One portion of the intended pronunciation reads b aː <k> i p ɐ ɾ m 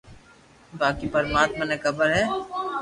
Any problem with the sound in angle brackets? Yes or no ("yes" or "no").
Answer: no